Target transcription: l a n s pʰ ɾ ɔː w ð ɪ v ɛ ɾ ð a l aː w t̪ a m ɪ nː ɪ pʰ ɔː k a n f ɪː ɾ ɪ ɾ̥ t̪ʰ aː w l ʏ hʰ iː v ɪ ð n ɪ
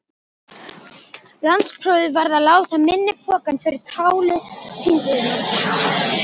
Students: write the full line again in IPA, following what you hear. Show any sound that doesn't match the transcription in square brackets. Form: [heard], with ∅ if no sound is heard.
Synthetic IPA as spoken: l a n s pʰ ɾ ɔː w ð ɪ v [a] ɾ ð a l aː w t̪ a m ɪ nː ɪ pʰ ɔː k a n f [ɪ] ɾ ɪ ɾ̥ t̪ʰ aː w l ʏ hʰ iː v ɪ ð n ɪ